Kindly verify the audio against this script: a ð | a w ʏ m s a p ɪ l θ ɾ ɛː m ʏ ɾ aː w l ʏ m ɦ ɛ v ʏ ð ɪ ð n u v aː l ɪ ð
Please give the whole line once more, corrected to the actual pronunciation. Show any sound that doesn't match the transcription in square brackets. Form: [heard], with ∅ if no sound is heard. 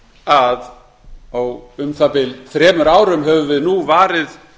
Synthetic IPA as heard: a ð | a w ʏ m [θ] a p ɪ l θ ɾ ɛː m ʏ ɾ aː w [ɾ] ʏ m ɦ ɛ v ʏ [v] ɪ ð n u v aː [ɾ] ɪ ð